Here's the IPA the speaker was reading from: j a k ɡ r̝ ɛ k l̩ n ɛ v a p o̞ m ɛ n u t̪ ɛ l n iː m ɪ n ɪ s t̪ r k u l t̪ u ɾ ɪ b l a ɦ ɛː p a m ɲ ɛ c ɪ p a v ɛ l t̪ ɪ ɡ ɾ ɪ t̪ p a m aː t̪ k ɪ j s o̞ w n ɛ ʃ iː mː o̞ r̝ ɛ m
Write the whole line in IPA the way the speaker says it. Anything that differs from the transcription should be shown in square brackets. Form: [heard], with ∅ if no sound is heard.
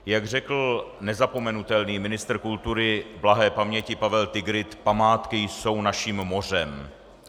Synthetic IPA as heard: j a [∅] ɡ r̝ ɛ k l̩ n ɛ [z] a p o̞ m ɛ n u t̪ ɛ l n iː m ɪ n ɪ s t̪ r k u l t̪ u ɾ ɪ b l a ɦ ɛː p a m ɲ ɛ c ɪ p a v ɛ l t̪ ɪ ɡ ɾ ɪ t̪ p a m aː t̪ k ɪ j s o̞ w n [a] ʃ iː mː o̞ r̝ ɛ m